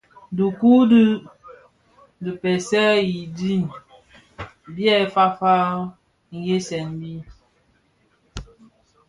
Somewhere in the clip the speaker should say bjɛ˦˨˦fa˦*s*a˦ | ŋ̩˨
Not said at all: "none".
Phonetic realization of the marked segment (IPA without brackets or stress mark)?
f